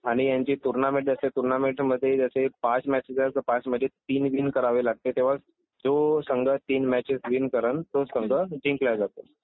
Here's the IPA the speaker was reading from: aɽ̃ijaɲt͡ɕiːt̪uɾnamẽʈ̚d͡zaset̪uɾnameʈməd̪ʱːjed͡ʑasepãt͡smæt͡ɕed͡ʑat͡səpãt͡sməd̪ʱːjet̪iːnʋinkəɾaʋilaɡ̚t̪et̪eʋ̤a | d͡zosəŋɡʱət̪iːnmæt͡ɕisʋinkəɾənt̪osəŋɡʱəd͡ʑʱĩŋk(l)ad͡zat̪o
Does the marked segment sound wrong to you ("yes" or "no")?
no